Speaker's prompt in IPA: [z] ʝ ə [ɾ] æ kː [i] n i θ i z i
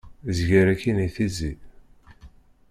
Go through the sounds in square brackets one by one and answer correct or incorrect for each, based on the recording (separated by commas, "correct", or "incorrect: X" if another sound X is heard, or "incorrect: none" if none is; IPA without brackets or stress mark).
correct, correct, correct